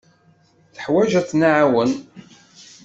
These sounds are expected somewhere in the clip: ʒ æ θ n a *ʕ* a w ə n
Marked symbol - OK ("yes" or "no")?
yes